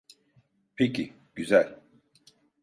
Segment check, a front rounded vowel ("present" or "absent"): present